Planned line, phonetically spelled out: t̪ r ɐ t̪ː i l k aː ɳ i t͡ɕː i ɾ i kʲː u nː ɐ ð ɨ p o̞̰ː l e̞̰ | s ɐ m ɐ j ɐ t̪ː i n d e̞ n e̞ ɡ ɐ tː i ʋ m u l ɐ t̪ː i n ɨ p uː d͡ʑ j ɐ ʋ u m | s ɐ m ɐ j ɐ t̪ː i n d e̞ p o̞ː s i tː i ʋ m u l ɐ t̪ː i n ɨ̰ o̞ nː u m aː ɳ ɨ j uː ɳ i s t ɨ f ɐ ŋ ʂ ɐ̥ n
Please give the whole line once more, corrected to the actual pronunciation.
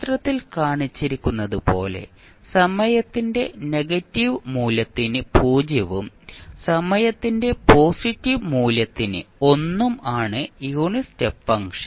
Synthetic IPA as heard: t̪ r ɐ t̪ː i l k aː ɳ i t͡ɕː i ɾ i kʲː u nː ɐ ð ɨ p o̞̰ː l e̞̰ | s ɐ m ɐ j ɐ t̪ː i n d e̞ n e̞ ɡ ɐ tː i ʋ m uː l ɐ t̪ː i n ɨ p uː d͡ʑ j ɐ ʋ u m | s ɐ m ɐ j ɐ t̪ː i n d e̞ p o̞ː s i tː i ʋ m uː l ɐ t̪ː i n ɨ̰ o̞ nː u m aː ɳ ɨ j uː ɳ i s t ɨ f ɐ ŋ ʂ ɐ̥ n